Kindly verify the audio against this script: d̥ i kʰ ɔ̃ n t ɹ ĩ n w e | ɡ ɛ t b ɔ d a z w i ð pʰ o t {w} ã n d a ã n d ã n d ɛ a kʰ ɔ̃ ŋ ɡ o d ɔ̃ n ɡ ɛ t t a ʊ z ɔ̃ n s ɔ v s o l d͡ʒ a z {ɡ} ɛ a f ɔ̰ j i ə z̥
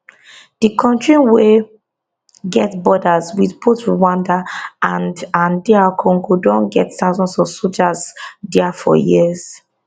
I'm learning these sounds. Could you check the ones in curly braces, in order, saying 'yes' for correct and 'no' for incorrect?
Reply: yes, no

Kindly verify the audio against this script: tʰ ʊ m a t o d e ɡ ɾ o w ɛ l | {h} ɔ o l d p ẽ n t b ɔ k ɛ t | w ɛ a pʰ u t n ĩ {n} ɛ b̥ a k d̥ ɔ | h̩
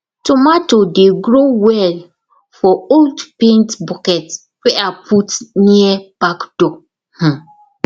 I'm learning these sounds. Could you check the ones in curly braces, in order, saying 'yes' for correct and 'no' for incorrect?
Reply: no, no

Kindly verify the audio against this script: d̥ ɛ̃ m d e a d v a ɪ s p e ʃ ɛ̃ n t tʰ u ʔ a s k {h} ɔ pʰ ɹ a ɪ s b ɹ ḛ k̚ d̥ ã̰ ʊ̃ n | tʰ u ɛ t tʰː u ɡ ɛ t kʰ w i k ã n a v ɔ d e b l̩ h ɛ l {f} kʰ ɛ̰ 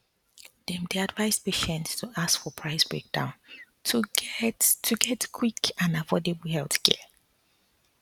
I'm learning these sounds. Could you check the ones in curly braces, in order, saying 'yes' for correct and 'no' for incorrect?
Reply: no, no

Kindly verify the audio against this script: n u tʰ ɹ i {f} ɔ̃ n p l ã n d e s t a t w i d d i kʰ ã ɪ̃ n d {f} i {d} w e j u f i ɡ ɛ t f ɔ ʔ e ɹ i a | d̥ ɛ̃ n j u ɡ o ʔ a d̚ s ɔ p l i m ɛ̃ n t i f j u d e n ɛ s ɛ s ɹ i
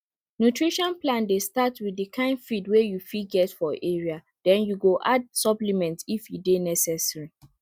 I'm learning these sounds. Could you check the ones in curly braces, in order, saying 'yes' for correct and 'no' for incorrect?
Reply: no, yes, yes

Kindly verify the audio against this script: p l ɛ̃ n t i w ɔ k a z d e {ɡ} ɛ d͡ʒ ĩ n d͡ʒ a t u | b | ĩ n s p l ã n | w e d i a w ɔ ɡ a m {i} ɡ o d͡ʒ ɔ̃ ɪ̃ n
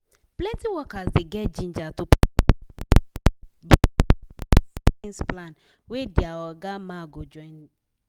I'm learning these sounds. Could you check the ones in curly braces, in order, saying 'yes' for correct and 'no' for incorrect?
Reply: yes, no

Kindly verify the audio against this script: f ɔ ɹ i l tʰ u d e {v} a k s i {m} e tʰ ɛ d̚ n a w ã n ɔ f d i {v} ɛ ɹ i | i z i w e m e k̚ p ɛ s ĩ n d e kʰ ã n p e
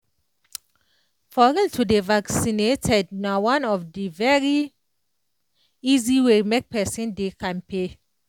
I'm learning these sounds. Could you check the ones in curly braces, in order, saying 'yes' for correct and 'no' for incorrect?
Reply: yes, no, yes

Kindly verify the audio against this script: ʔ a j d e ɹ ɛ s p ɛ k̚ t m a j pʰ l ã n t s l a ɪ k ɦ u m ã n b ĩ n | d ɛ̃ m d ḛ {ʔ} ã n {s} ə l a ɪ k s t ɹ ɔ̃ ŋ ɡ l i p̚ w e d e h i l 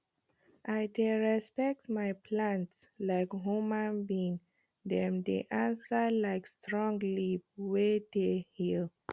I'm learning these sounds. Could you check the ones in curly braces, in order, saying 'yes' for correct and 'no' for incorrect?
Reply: yes, yes

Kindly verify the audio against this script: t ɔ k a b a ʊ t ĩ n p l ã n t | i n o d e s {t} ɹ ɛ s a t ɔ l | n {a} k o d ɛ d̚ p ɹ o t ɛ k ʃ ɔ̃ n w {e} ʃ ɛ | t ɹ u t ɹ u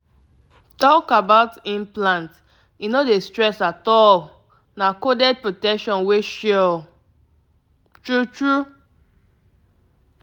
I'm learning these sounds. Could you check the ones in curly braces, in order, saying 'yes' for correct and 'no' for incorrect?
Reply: yes, yes, yes

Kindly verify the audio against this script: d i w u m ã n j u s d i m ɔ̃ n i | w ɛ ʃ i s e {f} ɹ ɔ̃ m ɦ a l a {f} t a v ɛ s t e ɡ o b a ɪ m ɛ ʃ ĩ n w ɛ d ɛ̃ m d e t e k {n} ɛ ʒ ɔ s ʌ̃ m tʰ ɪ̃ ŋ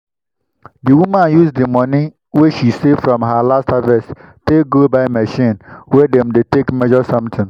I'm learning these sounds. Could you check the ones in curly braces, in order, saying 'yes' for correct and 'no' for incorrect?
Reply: yes, no, no

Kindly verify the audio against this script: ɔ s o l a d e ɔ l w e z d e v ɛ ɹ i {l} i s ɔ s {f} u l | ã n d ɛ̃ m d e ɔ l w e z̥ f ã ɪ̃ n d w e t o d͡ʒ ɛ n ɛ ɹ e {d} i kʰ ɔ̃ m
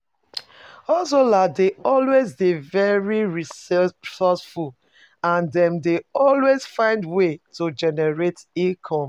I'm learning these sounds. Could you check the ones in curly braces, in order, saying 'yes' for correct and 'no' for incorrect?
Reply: no, yes, no

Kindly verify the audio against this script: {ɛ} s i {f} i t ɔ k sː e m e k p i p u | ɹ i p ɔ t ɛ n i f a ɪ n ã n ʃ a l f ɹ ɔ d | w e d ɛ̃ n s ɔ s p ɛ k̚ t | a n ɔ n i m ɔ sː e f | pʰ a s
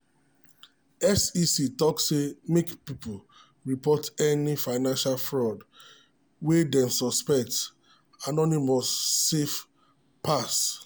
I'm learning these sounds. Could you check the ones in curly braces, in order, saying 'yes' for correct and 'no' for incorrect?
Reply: yes, no

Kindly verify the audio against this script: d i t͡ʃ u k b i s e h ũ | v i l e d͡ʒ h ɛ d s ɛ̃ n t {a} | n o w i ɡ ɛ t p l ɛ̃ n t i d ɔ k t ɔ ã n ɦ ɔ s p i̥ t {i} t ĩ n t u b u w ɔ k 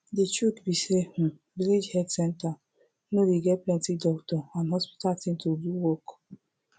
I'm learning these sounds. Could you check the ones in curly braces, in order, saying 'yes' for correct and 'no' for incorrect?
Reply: yes, no

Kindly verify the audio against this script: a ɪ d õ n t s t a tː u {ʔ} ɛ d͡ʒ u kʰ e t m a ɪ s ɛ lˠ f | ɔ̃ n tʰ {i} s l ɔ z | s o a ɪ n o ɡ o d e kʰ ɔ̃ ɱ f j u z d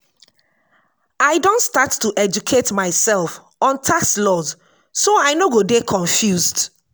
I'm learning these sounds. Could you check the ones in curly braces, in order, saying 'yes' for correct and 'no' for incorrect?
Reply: yes, no

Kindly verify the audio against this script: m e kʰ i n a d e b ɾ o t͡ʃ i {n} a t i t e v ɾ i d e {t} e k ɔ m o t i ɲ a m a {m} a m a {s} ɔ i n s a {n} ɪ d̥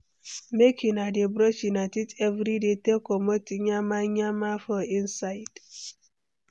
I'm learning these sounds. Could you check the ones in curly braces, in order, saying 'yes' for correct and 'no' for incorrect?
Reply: yes, yes, no, no, no

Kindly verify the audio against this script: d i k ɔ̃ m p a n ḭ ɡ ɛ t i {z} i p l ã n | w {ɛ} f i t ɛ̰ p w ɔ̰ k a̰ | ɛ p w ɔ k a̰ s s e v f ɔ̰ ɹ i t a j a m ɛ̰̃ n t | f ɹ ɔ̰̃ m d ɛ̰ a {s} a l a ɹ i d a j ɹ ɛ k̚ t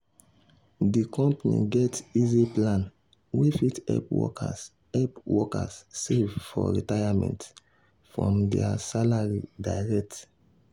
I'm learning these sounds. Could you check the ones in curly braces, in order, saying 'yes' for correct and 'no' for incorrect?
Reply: yes, no, yes

